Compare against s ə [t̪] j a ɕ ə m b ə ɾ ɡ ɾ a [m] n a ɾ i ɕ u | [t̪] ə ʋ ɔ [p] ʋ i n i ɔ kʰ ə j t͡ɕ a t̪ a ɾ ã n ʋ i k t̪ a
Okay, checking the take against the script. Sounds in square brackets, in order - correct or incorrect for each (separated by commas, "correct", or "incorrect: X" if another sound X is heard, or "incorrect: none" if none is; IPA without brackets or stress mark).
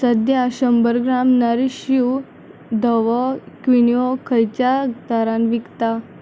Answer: incorrect: d̪, correct, incorrect: d̪, incorrect: k